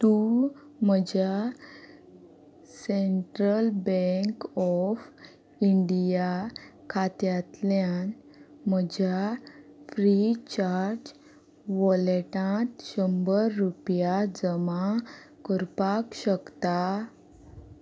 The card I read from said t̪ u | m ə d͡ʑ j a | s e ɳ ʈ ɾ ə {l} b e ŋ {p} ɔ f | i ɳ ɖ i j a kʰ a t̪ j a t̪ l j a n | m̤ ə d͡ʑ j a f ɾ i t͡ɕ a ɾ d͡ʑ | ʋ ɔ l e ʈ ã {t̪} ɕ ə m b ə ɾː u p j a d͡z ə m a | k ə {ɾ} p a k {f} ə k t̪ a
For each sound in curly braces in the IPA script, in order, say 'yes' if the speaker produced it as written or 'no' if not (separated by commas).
yes, no, yes, yes, no